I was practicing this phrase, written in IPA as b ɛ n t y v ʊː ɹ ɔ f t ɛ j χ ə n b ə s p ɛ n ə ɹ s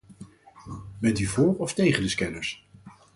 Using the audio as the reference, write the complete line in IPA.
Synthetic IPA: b ɛ n t y v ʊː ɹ ɔ f t e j χ ə n d ə s k ɛ n ə ɹ s